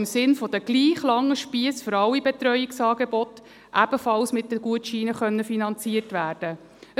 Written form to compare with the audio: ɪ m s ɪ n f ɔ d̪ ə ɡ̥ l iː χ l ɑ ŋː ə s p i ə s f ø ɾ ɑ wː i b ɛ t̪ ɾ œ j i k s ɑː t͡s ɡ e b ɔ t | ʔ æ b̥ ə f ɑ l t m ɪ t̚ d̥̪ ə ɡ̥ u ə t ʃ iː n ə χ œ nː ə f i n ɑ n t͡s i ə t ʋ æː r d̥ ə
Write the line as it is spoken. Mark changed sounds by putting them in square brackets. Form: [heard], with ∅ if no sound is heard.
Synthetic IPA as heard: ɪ m s ɪ n f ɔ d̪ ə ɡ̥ l iː χ l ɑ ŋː ə [ʃ] p i ə s f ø ɾ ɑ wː i b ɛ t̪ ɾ œ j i k s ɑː [∅] ɡ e b ɔ t | ʔ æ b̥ ə f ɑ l [s] m ɪ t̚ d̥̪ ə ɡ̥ u ə t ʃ iː n ə χ œ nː ə f i n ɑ n t͡s i ə t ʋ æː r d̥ ə